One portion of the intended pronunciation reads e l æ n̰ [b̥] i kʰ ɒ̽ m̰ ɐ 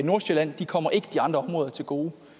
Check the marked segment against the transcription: incorrect: d̥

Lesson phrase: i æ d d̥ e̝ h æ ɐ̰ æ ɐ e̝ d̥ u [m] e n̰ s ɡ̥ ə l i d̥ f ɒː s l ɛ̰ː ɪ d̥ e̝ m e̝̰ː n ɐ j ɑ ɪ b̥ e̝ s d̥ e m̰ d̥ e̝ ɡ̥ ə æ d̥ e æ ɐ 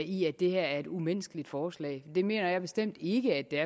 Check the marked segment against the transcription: correct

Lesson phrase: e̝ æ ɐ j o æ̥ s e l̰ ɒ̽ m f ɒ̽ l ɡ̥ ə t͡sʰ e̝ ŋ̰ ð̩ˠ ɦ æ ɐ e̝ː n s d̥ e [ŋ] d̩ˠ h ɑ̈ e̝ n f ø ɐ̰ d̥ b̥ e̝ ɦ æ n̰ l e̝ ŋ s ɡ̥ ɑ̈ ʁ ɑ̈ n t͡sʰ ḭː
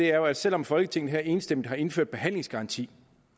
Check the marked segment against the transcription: incorrect: m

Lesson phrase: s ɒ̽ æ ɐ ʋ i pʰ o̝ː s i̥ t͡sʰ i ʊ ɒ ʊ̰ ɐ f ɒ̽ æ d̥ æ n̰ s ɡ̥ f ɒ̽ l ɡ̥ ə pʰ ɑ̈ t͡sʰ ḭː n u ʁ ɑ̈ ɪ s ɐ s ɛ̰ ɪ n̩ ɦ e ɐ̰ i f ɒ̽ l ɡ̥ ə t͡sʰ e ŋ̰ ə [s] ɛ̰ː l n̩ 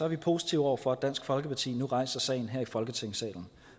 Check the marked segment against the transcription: correct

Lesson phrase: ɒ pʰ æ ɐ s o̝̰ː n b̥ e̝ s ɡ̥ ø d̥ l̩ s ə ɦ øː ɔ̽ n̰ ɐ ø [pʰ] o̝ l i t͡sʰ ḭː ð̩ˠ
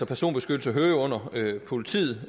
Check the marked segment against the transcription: correct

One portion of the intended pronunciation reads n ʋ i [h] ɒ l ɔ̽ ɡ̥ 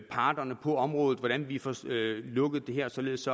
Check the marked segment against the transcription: incorrect: f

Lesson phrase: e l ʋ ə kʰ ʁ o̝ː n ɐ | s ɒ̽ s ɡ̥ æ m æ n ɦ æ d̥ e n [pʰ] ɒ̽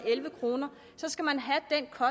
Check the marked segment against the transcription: incorrect: kʰ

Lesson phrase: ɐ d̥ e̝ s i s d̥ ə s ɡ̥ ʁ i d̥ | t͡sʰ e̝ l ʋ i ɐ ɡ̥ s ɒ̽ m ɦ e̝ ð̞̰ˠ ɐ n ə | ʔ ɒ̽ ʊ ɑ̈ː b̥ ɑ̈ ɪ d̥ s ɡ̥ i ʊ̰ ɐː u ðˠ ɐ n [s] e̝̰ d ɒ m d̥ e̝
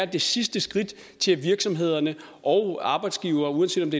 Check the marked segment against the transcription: correct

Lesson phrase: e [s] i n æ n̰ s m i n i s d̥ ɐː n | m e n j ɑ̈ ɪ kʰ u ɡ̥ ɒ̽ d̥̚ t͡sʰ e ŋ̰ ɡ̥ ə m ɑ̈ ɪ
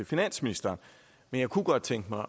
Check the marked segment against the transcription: incorrect: f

